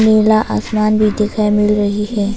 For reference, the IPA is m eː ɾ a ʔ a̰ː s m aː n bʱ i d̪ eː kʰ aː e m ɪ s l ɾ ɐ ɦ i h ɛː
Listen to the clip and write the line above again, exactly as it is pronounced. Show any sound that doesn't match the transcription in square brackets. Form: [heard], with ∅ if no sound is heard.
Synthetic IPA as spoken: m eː [l] a ʔ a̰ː s m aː n bʱ i d̪ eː kʰ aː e m ɪ [∅] l ɾ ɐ ɦ i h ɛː